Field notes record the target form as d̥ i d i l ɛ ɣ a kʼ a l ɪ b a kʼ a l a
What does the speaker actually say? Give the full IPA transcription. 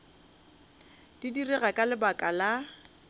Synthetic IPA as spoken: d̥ i d i r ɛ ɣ a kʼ a l ɪ b a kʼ a l a

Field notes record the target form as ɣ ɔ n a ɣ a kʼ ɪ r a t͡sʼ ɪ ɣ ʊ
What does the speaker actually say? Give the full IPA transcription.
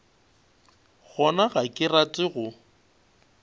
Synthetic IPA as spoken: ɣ ɔ n a ɣ a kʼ ɪ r a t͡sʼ ɪ ɣ ʊ

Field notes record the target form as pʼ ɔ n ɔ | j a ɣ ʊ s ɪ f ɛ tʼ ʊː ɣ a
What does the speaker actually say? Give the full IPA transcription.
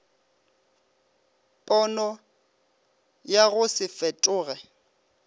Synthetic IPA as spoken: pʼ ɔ n ɔ | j a ɣ ʊ s ɪ f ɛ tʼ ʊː ɣ ɛ

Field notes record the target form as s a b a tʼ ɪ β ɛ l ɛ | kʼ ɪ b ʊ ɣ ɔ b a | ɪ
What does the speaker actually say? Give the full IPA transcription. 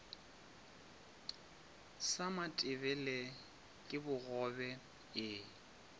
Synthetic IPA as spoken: s a m a tʼ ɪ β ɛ l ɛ | kʼ ɪ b ʊ ɣ ɔ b ɛ | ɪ

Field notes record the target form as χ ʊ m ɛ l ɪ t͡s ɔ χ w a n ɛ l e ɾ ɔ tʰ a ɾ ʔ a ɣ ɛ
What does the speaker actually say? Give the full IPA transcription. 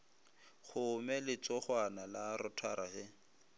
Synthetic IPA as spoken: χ ʊ m ɛ l ɪ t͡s ɔ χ w a n a l a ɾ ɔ tʰ a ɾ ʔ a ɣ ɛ

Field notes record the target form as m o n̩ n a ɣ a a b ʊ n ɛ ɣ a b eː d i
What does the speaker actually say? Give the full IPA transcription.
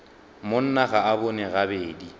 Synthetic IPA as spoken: m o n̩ n a ɣ a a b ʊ n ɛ ɣ a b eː d i

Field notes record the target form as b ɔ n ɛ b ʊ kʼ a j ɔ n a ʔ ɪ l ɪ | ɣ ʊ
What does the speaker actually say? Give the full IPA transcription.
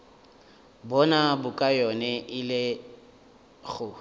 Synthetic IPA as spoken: b ɔ n a b ʊ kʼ a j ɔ n ɛ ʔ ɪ l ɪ | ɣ ʊ

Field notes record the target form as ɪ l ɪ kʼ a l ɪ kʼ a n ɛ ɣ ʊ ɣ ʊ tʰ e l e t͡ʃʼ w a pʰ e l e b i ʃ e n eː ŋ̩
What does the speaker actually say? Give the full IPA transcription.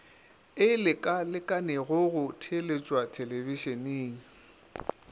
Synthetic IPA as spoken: ɪ l ɪ kʼ a l ɪ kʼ a n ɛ ɣ ʊ ɣ ʊ tʰ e l e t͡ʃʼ w a tʰ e l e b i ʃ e n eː ŋ̩

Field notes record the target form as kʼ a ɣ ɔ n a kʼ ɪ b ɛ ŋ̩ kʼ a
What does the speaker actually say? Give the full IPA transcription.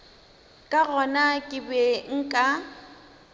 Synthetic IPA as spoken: kʼ a ɣ ɔ n a kʼ ɪ b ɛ ŋ̩ kʼ a

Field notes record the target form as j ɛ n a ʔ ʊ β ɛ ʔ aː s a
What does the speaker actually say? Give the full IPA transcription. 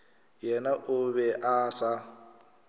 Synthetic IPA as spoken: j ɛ n a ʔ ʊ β ɛ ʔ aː s a

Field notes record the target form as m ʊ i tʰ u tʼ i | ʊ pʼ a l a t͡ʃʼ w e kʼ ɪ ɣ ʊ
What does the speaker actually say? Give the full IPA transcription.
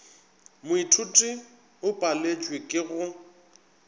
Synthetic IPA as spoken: m ʊ i tʰ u tʼ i | ʊ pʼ a l e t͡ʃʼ w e kʼ ɪ ɣ ʊ

